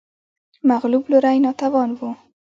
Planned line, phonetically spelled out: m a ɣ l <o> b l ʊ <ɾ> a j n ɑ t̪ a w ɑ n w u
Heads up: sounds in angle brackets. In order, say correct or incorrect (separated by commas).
incorrect, correct